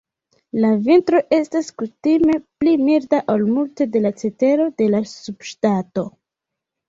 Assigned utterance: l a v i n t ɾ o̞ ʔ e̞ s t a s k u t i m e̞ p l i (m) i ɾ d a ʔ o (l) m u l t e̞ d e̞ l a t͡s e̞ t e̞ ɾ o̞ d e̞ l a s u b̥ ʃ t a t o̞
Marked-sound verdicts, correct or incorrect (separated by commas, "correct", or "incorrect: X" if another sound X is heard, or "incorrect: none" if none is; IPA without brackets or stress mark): correct, correct